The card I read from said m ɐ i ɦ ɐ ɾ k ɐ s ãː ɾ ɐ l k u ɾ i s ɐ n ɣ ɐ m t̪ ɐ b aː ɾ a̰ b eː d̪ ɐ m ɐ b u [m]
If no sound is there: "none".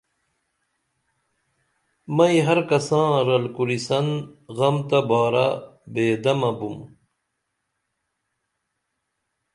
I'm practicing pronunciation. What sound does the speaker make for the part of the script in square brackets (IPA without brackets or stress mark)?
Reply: m